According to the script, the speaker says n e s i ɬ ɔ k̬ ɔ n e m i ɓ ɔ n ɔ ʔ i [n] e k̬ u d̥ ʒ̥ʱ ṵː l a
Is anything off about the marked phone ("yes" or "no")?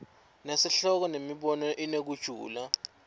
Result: no